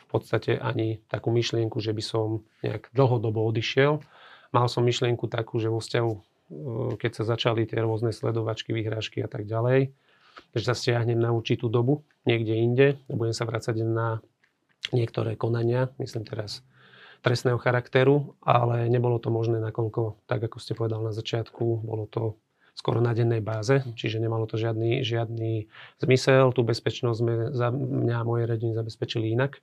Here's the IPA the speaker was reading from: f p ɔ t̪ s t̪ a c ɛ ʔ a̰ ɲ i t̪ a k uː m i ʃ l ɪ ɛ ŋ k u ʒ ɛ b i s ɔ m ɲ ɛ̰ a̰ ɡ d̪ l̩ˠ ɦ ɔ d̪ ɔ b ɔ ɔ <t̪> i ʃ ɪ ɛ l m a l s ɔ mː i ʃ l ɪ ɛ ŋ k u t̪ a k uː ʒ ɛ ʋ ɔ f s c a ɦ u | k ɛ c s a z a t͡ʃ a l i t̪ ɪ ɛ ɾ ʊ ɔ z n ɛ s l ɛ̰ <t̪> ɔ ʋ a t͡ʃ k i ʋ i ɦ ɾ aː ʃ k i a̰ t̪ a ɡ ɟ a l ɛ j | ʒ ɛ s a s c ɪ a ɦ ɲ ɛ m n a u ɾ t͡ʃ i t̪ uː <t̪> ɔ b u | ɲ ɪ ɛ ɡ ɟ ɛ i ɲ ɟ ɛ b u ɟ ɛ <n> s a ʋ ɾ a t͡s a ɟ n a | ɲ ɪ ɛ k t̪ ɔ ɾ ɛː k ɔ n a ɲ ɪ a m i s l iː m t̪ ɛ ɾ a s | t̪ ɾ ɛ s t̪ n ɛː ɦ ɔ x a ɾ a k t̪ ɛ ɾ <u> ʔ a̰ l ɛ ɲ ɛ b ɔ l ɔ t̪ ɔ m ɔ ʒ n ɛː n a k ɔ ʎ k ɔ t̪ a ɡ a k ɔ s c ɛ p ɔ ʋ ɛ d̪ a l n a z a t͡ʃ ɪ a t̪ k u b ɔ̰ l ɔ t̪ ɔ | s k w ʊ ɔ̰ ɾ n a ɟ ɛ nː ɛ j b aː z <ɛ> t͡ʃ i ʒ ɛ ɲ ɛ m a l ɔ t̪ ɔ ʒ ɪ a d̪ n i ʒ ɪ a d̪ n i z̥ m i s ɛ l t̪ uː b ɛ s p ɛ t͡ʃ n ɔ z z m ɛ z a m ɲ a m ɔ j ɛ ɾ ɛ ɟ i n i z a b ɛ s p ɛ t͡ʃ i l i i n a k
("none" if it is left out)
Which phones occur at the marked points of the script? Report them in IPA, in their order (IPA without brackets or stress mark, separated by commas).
d̪, d̪, d̪, m, u, ɛ